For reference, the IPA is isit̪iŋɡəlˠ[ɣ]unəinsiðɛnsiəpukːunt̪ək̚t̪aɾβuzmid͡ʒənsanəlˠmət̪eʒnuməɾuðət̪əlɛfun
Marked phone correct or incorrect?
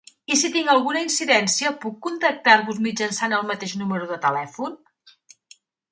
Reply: correct